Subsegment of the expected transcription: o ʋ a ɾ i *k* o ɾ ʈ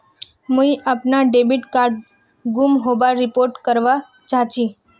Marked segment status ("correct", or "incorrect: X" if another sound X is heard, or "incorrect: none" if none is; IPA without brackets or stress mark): incorrect: p